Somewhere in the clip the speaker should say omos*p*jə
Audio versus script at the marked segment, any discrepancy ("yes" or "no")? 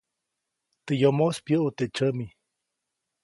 no